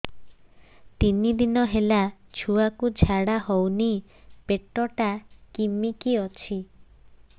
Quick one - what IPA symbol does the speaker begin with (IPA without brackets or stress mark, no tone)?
t̪